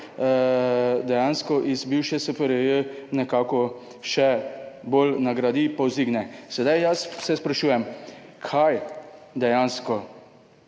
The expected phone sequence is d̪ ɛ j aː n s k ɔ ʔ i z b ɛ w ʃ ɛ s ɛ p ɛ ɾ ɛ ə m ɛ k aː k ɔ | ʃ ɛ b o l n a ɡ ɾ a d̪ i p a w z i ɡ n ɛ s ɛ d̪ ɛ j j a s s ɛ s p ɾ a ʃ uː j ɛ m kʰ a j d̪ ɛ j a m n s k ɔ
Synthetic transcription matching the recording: d̪ ɛ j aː n s k ɔ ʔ i z b i w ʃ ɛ s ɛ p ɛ ɾ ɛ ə n ɛ k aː k ɔ | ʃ ɛ b o l n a ɡ ɾ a d̪ i p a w z i ɡ n ɛ s ɛ d̪ a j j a s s ɛ s p ɾ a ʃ uː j ɛ m kʰ a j d̪ ɛ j a n s k ɔ